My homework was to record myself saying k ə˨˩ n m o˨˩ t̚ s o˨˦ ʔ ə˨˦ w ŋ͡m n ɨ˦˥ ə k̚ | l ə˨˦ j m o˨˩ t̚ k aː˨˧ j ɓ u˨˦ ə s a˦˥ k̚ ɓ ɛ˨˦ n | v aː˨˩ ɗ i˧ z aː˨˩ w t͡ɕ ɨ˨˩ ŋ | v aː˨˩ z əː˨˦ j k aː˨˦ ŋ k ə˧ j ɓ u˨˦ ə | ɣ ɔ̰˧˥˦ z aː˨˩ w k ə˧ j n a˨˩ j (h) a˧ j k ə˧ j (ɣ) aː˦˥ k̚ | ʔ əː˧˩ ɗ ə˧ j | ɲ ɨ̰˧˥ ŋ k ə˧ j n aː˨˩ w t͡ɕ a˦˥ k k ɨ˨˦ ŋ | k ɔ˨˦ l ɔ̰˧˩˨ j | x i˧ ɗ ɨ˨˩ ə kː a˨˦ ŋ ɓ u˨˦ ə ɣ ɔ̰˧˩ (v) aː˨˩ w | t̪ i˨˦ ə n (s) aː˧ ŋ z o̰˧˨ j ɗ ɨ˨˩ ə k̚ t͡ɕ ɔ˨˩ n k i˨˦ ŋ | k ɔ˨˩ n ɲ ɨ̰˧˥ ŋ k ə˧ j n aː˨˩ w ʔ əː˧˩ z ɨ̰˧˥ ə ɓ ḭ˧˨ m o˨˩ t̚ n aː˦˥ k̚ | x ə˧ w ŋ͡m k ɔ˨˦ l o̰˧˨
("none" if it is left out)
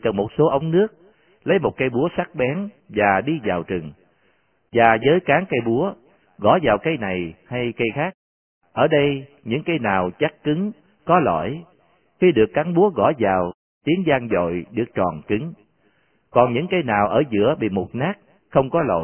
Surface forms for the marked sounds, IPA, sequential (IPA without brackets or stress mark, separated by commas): h, x, z, z